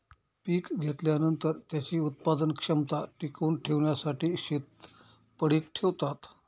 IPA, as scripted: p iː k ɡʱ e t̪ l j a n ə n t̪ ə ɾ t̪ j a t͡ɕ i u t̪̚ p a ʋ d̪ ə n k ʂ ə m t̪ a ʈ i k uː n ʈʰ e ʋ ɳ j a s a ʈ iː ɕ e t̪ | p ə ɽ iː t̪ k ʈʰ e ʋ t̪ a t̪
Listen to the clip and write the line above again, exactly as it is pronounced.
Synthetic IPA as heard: p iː k ɡʱ e t̪ l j a n ə n t̪ ə ɾ t̪ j a t͡ɕ iː u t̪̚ p a d̪ ə n k ʂ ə m t̪ a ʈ i k uː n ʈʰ e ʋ ɳ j a s a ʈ iː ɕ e t̪ | p ə ɽ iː k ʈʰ e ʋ t̪ a t̪